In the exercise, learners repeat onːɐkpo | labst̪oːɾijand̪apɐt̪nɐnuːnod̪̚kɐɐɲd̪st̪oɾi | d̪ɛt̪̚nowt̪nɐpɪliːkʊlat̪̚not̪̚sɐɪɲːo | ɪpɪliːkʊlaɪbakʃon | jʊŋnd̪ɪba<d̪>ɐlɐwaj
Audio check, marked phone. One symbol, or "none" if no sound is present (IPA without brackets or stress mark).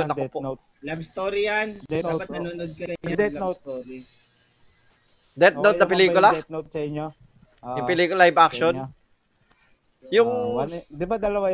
d̪